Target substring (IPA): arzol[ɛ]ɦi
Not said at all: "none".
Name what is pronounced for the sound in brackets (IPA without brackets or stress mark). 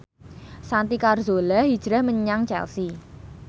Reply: a